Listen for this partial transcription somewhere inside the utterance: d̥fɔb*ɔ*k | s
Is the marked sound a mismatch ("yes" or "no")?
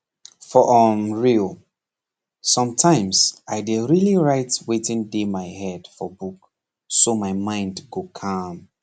yes